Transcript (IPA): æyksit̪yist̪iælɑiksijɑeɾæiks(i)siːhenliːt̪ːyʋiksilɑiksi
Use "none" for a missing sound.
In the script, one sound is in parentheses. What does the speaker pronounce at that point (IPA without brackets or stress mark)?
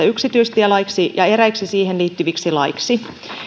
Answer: i